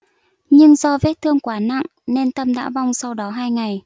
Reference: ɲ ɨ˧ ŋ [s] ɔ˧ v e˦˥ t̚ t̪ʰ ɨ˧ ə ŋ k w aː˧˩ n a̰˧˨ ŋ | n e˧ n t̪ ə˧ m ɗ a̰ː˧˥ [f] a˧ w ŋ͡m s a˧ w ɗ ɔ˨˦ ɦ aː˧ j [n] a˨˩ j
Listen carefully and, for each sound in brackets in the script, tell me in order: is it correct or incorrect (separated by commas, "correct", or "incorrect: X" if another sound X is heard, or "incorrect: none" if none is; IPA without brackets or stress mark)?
incorrect: z, incorrect: v, incorrect: ŋ